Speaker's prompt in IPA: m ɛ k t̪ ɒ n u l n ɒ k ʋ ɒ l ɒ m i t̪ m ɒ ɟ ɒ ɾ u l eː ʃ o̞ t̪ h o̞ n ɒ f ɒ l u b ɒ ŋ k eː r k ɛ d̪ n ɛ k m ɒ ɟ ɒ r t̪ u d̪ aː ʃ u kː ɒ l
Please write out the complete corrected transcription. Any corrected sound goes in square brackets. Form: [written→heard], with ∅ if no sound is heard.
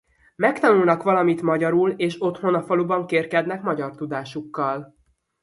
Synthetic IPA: m ɛ k t̪ ɒ n u l n ɒ k ʋ ɒ l ɒ m i t̪ m ɒ ɟ ɒ ɾ u l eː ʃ o̞ t̪ h o̞ n ɒ f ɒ l u b ɒ ŋ k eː r k ɛ d̪ n ɛ k m ɒ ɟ ɒ r t̪ u d̪ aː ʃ u kː ɒ l